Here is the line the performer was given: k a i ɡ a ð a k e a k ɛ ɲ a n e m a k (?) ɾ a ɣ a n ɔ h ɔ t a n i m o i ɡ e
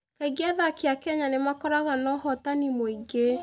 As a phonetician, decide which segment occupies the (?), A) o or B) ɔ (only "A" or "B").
B